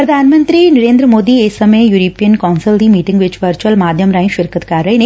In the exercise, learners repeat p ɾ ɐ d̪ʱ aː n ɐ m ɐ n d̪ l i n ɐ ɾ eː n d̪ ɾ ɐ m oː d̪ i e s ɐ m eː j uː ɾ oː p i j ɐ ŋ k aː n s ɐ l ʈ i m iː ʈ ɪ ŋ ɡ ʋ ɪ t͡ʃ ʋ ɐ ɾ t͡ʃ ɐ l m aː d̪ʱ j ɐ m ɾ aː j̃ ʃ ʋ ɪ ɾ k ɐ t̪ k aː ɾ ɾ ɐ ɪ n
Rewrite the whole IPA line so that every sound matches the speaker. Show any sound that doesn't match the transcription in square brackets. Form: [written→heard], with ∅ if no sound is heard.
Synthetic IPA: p ɾ ɐ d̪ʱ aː n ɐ m ɐ n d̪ [l→ɾ] i n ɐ ɾ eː n d̪ ɾ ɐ m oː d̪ i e s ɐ m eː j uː ɾ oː p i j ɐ [ŋ→n] k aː n s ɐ l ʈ i m iː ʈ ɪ ŋ ɡ ʋ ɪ t͡ʃ ʋ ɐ ɾ t͡ʃ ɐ l m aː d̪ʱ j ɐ m ɾ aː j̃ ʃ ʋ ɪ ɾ k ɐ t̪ k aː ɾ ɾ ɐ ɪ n